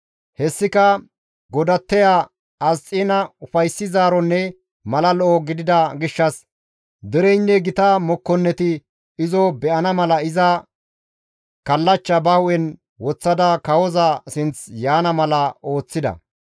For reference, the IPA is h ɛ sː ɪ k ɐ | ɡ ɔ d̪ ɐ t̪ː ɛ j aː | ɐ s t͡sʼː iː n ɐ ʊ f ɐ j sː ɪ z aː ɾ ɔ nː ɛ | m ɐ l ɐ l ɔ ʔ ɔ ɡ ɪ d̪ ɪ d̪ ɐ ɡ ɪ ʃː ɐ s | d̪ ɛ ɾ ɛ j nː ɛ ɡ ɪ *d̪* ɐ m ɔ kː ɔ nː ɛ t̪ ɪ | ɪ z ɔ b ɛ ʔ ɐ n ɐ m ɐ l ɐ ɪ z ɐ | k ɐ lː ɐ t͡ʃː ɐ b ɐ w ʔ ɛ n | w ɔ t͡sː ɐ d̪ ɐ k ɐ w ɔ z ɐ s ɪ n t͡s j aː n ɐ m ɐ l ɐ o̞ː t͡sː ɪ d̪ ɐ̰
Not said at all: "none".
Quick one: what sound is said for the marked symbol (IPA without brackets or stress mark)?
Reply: t̪